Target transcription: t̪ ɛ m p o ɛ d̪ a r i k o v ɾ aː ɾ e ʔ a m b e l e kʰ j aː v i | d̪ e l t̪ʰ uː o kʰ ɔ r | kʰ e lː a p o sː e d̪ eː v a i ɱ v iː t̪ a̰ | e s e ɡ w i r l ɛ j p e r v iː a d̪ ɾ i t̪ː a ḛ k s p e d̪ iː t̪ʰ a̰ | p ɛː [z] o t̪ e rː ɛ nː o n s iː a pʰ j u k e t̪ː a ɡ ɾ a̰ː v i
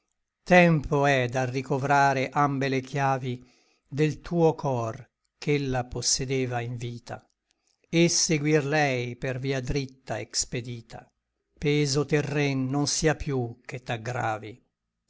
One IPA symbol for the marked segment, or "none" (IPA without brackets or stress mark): z